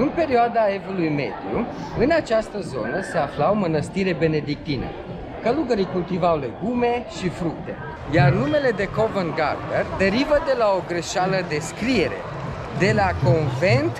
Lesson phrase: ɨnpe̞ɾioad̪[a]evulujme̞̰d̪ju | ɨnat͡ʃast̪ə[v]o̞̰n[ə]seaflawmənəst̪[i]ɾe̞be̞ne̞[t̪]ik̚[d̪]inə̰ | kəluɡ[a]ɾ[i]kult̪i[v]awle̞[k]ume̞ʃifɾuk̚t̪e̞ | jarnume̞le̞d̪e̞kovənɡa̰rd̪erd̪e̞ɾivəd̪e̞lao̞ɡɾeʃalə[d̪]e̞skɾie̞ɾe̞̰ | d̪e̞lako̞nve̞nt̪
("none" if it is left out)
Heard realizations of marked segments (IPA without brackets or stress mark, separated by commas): a, z, ə, i, d̪, t̪, ə, i, v, ɡ, d̪